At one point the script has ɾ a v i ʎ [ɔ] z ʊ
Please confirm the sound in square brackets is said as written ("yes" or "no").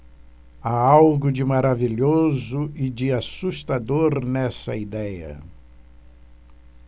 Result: no